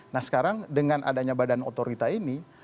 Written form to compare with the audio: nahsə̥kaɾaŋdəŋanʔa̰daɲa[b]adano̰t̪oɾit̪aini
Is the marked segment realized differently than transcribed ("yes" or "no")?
no